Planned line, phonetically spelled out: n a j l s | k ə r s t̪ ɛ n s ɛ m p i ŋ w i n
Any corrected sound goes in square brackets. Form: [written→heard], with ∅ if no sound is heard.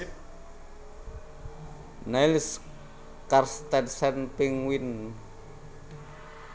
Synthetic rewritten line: n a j l s | k [ə→a] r s t̪ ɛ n s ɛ [m→n] p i ŋ w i n